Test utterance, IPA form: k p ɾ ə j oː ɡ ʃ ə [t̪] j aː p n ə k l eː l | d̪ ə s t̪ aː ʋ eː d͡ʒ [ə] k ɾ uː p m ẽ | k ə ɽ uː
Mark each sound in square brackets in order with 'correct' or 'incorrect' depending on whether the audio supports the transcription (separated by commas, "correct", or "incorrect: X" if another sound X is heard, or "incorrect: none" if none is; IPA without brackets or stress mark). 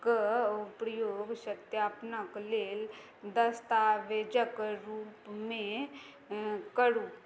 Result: correct, correct